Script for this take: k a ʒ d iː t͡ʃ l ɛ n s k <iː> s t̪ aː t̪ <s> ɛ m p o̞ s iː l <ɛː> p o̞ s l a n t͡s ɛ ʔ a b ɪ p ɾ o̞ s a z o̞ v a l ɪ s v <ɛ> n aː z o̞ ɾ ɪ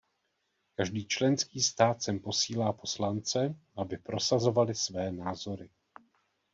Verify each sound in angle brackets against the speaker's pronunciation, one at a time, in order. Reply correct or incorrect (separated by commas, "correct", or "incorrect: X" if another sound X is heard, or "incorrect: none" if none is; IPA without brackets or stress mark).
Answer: correct, correct, incorrect: aː, incorrect: ɛː